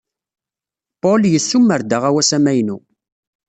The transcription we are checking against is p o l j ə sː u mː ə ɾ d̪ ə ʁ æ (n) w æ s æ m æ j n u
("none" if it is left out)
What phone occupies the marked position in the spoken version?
none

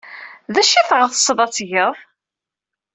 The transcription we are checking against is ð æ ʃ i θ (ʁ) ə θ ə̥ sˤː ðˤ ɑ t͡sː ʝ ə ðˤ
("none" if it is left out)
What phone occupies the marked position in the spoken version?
ʁ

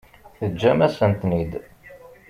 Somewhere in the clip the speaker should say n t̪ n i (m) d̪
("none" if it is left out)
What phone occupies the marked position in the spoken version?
none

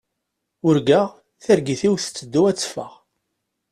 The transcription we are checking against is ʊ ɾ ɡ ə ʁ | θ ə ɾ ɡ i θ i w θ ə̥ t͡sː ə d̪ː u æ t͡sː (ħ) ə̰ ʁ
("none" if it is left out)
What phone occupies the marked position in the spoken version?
f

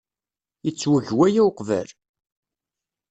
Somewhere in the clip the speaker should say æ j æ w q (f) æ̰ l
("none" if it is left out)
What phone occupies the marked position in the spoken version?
v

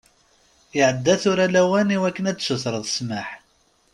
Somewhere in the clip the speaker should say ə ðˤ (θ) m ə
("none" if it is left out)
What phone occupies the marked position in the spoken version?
s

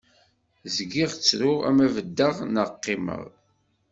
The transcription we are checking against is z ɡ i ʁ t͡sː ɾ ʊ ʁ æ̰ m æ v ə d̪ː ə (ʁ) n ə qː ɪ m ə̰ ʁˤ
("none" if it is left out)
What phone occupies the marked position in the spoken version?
ʁ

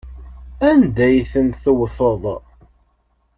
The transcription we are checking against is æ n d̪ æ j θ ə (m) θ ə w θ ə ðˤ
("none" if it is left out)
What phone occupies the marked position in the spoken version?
n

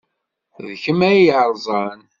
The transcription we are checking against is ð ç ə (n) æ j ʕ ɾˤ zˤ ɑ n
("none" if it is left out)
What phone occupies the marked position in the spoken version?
m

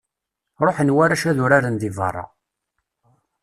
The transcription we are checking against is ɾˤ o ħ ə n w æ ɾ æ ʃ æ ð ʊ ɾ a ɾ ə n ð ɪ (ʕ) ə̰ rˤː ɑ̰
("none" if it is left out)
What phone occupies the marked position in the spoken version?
v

